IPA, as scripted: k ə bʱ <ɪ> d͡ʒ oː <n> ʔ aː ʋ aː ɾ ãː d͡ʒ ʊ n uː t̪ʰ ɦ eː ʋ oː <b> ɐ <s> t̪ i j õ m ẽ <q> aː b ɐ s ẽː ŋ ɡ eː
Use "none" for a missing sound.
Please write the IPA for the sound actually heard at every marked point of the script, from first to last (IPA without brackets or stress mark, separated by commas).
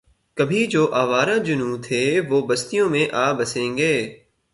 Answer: i, none, b, s, ʔ